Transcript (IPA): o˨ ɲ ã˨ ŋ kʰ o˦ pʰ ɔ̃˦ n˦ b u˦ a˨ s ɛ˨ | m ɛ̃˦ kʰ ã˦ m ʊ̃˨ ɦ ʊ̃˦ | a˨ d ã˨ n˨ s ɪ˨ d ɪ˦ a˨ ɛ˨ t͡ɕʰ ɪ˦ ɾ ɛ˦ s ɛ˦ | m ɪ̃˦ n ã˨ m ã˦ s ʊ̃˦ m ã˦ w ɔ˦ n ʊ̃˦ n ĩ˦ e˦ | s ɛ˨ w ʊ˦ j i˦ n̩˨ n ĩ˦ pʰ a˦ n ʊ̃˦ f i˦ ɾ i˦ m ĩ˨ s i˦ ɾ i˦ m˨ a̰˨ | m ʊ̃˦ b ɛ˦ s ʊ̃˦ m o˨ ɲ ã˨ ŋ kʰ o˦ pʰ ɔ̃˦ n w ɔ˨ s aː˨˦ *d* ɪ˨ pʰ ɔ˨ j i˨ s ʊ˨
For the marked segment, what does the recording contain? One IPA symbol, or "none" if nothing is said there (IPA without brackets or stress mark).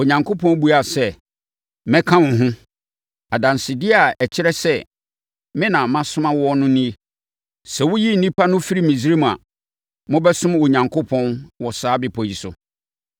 b